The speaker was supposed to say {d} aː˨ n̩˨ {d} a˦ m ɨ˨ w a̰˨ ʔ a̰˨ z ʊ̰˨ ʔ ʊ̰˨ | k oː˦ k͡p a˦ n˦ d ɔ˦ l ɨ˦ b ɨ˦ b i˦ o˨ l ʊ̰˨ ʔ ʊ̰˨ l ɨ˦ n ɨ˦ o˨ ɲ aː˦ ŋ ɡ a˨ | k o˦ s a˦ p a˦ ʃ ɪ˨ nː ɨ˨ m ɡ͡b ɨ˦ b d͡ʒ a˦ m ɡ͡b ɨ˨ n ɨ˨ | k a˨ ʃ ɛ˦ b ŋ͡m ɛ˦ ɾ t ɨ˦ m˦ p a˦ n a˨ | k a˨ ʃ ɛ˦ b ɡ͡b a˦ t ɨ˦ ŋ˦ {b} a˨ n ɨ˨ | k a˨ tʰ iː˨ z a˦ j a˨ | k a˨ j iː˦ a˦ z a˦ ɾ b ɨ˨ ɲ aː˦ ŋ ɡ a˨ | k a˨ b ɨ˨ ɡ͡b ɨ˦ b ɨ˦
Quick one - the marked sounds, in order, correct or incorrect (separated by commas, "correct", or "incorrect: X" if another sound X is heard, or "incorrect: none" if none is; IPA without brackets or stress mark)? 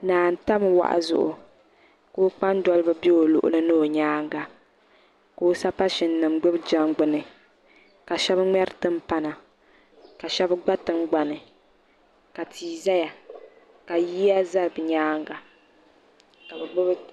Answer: incorrect: n, incorrect: t, incorrect: ɡ͡b